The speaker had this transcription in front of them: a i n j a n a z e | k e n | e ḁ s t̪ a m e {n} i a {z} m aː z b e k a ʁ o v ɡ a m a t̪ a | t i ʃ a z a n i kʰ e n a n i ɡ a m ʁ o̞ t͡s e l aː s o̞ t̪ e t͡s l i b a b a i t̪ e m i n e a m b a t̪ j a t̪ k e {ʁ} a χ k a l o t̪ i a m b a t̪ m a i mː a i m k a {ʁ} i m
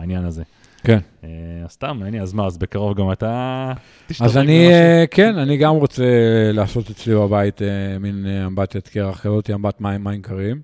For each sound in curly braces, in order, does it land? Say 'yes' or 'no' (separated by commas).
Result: yes, yes, yes, yes